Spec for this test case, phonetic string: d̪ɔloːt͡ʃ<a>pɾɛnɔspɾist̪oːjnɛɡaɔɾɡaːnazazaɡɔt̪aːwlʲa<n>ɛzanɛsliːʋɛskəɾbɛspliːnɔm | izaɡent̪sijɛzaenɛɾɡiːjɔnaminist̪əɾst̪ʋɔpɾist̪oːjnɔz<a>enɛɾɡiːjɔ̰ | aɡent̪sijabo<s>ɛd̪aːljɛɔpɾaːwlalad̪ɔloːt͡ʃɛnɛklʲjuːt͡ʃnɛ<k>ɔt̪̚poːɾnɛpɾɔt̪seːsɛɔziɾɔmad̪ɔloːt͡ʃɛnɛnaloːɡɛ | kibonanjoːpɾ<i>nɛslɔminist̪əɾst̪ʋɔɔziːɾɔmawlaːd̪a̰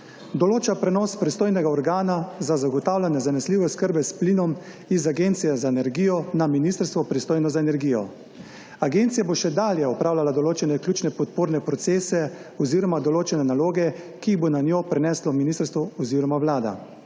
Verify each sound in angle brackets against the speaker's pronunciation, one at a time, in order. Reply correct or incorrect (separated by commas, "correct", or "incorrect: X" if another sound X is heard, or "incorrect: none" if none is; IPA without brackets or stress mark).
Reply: correct, correct, correct, incorrect: ʃ, incorrect: p, incorrect: ɛ